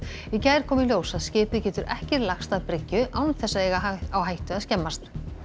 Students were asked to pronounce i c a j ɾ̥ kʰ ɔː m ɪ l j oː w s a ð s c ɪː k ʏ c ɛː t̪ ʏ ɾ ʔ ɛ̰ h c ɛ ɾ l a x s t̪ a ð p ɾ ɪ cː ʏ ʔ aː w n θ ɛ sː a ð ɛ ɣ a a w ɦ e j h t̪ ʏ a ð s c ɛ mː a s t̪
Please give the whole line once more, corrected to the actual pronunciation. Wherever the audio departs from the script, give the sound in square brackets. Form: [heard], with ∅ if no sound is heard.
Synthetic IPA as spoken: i c a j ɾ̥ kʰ ɔː m ɪ l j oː w s a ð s c ɪː [p] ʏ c ɛː t̪ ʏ ɾ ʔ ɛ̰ h c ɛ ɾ l a x s t̪ a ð p ɾ ɪ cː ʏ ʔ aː w n θ ɛ sː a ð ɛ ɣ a a w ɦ [a] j h t̪ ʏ a ð s c ɛ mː a s t̪